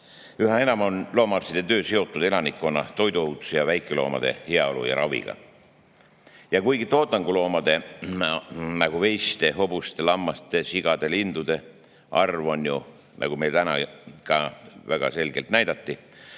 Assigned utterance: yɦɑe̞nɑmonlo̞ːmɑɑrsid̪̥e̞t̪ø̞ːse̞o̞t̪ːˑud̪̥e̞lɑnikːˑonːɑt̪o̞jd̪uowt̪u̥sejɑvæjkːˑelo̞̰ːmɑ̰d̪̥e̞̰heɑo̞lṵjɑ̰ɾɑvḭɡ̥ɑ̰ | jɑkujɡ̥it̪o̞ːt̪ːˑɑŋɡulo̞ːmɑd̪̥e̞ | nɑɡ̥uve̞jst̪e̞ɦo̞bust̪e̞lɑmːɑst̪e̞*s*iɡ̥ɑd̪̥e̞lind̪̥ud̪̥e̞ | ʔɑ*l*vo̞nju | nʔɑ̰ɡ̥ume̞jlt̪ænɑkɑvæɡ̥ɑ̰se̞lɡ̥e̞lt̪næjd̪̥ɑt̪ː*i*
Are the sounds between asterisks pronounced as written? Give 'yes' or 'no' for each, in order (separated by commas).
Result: yes, no, yes